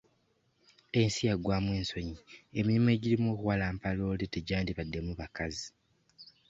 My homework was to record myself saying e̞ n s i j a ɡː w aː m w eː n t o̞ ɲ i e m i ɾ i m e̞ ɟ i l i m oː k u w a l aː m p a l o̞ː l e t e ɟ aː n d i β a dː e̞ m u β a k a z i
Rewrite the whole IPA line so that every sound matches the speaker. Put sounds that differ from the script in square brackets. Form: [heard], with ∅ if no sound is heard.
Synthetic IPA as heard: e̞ n s i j a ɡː w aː m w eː n [s] o̞ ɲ i e m i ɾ i m e̞ ɟ i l i m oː k u w a l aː m p a l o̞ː l e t e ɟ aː n d i β a dː e̞ m u β a k a z i